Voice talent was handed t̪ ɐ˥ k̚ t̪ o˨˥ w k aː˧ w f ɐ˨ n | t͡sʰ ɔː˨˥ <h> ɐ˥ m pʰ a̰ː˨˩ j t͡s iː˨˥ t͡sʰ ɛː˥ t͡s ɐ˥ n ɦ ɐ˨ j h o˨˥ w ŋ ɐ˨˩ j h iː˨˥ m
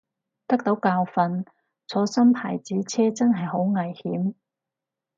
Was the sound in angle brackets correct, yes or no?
no